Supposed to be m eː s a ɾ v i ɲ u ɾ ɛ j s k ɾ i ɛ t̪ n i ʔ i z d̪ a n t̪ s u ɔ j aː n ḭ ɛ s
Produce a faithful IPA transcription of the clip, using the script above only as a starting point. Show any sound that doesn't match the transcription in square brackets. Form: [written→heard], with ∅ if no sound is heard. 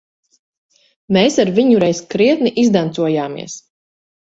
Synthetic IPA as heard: m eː s a ɾ v i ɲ u ɾ ɛ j s k ɾ i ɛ t̪ n i ʔ i z d̪ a n t̪ s u ɔ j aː [n→m] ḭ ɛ s

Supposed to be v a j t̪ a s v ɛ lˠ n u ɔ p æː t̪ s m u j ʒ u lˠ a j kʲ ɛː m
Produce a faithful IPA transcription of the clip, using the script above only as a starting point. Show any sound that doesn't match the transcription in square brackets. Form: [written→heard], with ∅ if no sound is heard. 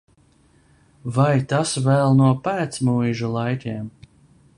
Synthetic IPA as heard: v a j t̪ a s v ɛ lˠ n u ɔ p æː t̪ s m u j ʒ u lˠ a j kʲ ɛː m

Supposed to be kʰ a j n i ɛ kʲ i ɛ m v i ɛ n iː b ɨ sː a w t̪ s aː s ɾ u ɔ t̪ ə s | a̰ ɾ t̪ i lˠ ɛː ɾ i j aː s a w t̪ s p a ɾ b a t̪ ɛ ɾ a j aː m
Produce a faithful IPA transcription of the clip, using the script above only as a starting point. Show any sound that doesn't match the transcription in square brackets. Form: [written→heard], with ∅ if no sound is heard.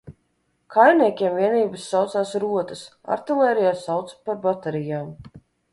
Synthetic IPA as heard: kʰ a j n i ɛ kʲ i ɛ m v i ɛ n iː b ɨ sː a w t̪ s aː s ɾ u ɔ t̪ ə s | a̰ ɾ t̪ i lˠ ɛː ɾ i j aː s a w t̪ s p a ɾ b a t̪ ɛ ɾ [a→i] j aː m

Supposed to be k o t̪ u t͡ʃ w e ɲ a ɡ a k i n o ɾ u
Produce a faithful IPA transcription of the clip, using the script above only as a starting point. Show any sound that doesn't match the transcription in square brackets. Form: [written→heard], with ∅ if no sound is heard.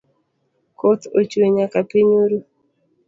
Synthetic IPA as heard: k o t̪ [u→o] t͡ʃ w e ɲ a [ɡ→k] a [k→p] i [n→ɲ] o ɾ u

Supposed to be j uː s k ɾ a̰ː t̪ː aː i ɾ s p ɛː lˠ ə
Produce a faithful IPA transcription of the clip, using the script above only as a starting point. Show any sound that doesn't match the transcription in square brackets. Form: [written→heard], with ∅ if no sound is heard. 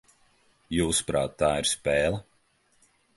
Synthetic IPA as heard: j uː s [k→p] ɾ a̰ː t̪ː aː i ɾ s p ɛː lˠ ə

